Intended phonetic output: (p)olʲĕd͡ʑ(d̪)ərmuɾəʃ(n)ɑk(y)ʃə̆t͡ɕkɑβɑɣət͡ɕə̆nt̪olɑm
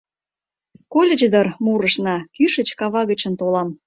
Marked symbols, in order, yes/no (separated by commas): no, yes, yes, yes